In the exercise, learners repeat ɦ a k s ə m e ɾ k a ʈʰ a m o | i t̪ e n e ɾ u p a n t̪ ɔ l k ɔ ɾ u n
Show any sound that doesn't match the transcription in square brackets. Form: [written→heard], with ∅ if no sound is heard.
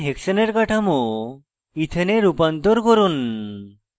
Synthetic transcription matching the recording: ɦ [a→e] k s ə [m→n] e ɾ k a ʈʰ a m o | i [t̪→t̪ʰ] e n e ɾ u p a n t̪ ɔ [l→ɾ] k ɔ ɾ u n